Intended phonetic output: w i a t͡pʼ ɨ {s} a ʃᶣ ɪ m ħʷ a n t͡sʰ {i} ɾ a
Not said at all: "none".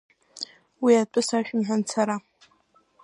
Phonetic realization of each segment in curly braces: s, a

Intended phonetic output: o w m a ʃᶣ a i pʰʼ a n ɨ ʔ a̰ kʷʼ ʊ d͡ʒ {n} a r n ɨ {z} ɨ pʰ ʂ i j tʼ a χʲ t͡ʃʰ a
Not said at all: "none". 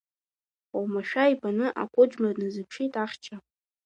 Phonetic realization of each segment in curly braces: m, z

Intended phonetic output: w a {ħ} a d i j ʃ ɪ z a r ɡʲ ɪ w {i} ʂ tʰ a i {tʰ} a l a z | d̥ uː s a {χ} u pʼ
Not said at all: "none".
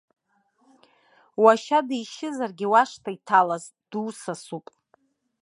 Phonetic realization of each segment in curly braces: ʃ, a, tʰ, s

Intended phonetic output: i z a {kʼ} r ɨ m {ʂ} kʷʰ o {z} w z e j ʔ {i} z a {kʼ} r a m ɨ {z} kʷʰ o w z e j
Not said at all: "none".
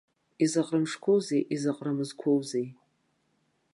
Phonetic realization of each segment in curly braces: qʼ, ʂ, none, i, qʼ, z

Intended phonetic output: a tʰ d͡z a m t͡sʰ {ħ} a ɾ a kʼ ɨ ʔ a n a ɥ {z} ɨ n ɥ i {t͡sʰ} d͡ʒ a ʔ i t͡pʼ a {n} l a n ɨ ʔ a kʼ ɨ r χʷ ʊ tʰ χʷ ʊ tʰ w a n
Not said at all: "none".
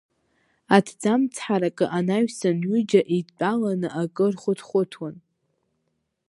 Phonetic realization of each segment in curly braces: ħ, s, none, none

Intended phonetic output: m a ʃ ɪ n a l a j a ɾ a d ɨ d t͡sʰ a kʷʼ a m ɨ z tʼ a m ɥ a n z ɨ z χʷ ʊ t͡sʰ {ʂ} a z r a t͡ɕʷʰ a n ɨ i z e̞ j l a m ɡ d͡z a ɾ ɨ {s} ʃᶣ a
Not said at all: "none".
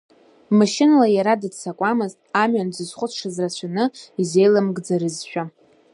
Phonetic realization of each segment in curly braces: ʂ, z

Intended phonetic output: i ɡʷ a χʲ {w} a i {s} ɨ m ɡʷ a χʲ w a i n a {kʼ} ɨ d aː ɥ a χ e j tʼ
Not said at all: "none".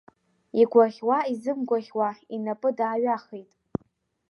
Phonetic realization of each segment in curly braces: w, z, pʼ

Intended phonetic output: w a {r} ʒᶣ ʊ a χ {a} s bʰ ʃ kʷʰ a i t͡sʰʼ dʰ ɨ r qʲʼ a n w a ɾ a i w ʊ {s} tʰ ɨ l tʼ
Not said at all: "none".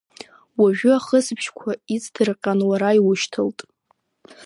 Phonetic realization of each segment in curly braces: none, ə, ʃ

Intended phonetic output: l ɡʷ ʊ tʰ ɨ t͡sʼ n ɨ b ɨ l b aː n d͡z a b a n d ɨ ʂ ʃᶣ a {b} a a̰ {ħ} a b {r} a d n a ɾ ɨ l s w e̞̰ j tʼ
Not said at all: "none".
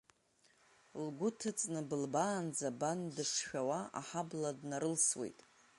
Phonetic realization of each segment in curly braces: w, ħ, l

